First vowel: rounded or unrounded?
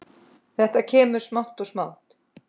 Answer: unrounded